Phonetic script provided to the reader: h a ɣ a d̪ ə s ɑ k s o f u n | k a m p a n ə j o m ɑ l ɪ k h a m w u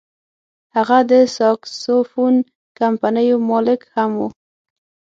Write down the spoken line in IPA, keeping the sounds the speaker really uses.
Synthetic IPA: h a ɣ a d̪ ə s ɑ k s o f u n | k a m p a n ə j o m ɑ l ɪ k h a m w u